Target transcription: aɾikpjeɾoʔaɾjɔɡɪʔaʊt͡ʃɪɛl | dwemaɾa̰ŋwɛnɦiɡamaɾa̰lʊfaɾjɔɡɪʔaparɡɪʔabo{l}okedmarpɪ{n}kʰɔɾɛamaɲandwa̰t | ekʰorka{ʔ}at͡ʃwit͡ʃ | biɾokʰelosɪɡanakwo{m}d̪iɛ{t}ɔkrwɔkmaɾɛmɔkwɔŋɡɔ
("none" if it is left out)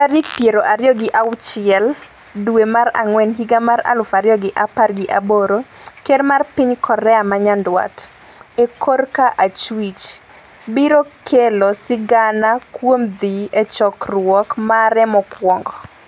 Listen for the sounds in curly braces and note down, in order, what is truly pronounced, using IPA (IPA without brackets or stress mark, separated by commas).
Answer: ɾ, ɲ, ʔ, m, t͡ʃ